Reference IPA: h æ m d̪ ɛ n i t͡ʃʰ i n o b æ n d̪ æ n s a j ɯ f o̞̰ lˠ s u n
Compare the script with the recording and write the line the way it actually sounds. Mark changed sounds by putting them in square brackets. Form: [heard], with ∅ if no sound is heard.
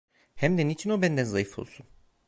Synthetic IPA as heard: h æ m d̪ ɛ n i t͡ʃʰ i n o b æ n d̪ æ n [z] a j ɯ f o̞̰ lˠ s u n